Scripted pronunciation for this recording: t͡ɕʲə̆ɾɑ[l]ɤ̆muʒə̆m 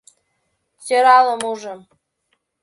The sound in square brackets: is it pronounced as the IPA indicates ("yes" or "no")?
yes